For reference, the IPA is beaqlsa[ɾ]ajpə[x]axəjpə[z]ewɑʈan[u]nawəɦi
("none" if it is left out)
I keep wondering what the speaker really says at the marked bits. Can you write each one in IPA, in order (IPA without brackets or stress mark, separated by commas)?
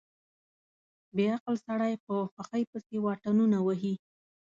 ɽ, x, s, u